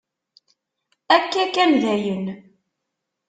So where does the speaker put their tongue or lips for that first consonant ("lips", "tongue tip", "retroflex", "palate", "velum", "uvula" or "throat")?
velum